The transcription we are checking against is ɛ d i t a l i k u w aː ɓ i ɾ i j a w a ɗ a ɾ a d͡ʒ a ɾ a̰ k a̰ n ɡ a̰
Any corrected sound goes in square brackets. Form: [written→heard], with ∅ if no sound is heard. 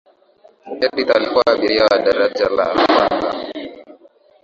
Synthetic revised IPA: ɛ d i t a l i k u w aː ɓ i ɾ i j a w a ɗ a ɾ a d͡ʒ a [ɾ→l] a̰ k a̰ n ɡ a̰